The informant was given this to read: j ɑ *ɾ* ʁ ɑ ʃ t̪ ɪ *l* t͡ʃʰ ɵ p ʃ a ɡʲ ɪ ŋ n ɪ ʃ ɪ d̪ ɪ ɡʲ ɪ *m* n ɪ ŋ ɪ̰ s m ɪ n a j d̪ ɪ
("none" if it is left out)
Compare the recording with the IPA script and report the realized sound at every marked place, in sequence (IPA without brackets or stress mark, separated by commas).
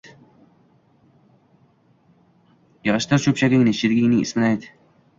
none, ɾ, ŋ